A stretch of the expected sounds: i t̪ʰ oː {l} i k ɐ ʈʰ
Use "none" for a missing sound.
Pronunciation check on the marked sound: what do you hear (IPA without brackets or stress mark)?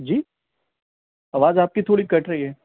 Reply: ɽ